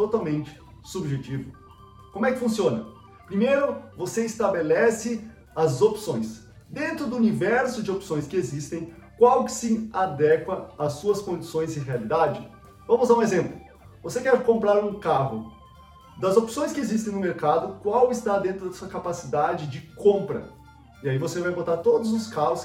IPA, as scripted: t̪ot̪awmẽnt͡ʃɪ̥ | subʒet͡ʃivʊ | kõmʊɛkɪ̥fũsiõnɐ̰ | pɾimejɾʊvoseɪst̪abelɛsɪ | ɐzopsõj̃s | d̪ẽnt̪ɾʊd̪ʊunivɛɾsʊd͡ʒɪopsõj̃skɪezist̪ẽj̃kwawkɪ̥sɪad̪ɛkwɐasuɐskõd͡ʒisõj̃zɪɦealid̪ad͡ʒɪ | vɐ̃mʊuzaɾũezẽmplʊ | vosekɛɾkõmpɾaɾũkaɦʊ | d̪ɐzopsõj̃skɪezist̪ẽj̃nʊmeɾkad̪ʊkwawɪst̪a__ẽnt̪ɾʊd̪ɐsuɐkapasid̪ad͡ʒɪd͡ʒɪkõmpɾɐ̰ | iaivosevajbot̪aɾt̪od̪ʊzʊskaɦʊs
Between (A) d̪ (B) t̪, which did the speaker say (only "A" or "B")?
A